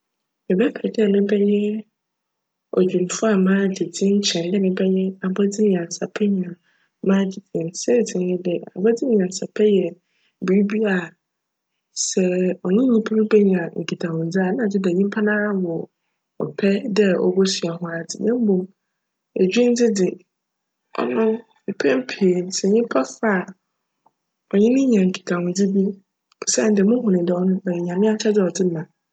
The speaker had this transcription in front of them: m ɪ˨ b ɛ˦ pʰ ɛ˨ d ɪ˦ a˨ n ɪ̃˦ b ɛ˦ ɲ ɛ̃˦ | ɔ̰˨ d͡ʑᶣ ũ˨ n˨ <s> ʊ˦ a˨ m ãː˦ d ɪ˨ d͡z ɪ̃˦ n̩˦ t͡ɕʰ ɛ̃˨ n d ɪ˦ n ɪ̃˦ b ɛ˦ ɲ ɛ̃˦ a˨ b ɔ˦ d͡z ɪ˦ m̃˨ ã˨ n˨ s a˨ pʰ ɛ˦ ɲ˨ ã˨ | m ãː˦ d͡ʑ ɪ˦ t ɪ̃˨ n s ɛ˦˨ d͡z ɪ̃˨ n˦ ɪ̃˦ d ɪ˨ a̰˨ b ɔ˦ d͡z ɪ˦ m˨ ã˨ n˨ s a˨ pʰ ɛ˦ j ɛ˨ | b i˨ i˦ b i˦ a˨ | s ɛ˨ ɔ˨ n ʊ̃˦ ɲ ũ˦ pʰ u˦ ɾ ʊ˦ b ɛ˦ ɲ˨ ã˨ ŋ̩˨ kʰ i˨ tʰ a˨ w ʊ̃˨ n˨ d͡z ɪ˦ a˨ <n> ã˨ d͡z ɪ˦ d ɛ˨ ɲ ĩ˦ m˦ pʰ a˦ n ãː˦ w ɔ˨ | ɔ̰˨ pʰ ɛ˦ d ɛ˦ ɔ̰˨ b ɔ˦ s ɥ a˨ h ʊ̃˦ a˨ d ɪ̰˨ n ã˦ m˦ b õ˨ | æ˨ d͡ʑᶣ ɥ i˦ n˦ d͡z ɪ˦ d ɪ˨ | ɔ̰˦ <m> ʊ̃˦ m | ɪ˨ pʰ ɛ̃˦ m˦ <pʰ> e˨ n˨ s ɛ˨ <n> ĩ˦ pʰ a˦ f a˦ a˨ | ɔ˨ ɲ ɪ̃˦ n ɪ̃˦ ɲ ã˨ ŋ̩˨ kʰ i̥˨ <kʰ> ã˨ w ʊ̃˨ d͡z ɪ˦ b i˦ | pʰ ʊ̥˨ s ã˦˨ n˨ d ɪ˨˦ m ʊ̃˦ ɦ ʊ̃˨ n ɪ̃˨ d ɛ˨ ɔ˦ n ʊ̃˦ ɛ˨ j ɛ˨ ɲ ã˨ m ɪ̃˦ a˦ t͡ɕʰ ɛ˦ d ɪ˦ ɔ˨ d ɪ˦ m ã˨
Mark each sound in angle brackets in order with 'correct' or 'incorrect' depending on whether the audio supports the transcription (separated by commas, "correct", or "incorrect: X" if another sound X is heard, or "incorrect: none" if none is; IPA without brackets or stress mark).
incorrect: f, correct, incorrect: n, correct, incorrect: ɲ, incorrect: tʰ